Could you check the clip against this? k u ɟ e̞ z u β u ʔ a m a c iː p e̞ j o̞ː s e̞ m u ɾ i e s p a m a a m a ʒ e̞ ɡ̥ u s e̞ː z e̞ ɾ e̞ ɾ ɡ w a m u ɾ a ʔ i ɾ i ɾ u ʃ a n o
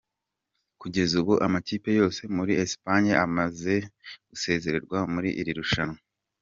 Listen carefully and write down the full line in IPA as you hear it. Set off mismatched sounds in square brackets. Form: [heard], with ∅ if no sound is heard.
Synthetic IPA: k u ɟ e̞ z u β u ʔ a m a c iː p e̞ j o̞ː s e̞ m u ɾ i e s p a [ɲ] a a m a [z] e̞ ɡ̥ u s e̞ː z e̞ ɾ e̞ ɾ ɡ w a m u ɾ [i] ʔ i ɾ i ɾ u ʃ a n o